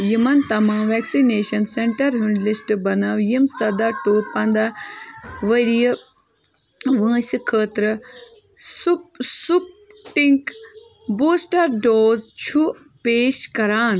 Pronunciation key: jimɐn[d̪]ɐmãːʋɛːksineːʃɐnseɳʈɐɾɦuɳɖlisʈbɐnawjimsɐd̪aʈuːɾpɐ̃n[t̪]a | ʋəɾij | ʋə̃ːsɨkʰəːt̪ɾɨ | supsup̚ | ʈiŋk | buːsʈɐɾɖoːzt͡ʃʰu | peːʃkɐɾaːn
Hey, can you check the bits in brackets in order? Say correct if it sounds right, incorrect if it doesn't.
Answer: incorrect: t̪, incorrect: d̪

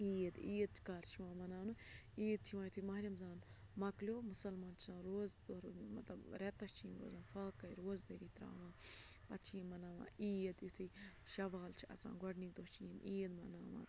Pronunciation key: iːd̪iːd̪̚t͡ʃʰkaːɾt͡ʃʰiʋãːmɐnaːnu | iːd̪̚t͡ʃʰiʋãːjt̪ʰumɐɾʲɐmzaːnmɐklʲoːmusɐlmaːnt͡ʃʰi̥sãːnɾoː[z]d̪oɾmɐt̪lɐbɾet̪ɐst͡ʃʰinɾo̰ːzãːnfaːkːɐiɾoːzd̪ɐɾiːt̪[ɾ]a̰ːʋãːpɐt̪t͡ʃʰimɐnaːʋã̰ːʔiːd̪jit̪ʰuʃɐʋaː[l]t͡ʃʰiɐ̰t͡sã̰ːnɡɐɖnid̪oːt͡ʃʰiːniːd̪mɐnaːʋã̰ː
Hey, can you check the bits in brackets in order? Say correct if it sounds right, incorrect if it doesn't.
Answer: correct, correct, correct

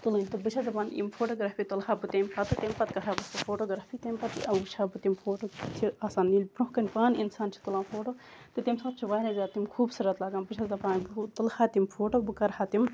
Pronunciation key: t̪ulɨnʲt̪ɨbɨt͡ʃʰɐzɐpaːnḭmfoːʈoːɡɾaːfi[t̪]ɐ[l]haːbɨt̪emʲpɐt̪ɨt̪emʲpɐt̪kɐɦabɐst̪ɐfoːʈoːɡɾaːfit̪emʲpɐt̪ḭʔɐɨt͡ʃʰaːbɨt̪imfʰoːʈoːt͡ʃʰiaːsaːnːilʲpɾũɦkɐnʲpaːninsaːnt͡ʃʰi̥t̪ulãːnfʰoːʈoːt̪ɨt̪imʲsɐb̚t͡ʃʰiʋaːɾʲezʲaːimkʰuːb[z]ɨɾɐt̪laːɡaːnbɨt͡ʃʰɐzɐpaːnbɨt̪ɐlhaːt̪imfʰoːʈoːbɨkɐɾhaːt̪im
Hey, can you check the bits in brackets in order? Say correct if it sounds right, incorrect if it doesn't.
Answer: correct, correct, incorrect: s

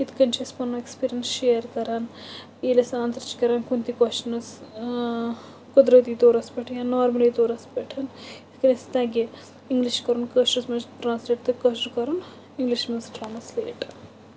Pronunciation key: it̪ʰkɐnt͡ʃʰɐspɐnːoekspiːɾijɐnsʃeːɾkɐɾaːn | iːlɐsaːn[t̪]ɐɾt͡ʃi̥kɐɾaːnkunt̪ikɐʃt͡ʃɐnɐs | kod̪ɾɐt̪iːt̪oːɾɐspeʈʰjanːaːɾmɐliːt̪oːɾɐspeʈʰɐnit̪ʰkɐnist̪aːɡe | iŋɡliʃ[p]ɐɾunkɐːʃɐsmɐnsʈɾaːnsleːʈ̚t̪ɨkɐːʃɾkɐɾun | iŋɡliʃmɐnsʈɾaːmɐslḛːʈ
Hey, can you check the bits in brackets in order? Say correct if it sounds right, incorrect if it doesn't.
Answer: correct, incorrect: k

